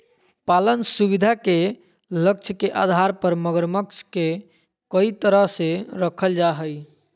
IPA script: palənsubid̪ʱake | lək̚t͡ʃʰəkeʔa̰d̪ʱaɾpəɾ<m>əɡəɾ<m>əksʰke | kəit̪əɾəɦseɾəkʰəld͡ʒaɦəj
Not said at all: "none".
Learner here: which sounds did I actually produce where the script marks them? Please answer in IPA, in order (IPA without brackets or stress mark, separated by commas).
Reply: m, m